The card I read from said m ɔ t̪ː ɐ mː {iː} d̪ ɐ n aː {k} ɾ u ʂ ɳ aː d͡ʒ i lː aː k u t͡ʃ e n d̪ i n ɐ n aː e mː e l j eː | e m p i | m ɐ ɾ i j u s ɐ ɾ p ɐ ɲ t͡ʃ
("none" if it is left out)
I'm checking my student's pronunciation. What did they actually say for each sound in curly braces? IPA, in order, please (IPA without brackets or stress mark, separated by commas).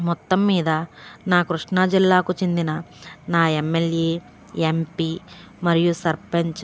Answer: iː, k